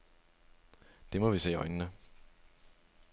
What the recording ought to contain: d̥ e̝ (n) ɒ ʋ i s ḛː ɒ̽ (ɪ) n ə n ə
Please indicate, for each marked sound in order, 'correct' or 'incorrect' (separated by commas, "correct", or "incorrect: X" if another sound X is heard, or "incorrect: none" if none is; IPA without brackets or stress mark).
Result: incorrect: m, correct